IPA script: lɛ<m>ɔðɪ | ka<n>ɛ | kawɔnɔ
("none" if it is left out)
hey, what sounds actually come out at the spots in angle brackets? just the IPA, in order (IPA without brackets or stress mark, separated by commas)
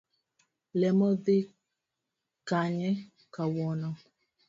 m, ɲ